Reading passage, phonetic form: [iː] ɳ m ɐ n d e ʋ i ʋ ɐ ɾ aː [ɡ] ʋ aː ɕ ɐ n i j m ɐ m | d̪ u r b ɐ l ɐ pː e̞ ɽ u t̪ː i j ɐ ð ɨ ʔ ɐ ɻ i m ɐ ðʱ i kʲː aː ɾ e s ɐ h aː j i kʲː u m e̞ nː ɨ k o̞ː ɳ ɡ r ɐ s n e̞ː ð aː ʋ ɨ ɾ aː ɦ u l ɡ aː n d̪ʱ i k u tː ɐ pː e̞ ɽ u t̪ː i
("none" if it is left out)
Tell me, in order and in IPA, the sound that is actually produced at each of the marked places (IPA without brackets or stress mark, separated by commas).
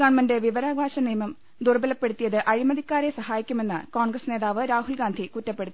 aː, ɡ